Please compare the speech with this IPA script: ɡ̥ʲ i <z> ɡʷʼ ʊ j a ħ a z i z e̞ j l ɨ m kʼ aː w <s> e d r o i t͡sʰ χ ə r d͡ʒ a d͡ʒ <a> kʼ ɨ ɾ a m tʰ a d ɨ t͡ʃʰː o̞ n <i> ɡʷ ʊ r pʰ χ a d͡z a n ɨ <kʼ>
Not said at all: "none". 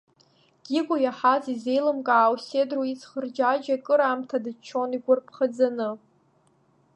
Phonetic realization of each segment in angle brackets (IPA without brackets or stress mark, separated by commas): none, s, a, i, none